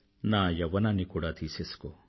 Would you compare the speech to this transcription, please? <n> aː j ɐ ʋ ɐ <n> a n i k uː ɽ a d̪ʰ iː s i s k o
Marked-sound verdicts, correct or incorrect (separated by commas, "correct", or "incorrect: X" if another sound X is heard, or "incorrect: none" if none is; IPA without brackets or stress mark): correct, correct